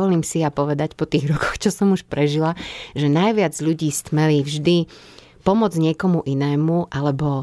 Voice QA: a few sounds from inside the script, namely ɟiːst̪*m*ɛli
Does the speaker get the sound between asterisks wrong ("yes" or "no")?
no